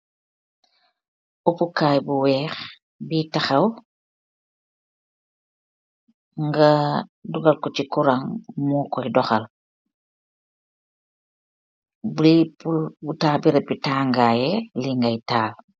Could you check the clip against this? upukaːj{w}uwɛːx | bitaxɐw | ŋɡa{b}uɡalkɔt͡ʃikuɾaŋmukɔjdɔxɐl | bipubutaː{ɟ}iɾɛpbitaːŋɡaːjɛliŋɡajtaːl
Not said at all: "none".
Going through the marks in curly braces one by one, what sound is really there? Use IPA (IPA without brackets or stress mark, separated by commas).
b, d, b